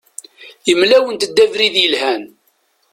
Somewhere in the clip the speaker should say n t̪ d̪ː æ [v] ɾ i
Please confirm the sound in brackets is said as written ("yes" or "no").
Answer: yes